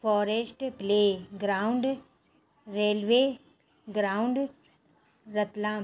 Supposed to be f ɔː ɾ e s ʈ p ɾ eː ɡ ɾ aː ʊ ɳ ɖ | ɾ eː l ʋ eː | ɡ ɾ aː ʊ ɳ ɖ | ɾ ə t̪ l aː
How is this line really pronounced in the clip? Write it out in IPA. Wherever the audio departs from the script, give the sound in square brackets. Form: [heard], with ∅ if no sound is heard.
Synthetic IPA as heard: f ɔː ɾ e s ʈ p [l] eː ɡ ɾ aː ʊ ɳ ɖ | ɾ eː l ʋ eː | ɡ ɾ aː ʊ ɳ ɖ | ɾ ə t̪ l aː